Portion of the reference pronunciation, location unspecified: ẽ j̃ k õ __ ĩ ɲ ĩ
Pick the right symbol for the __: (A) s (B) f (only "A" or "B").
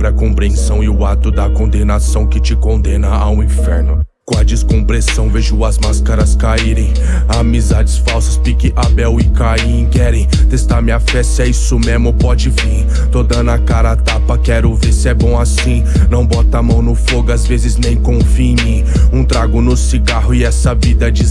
B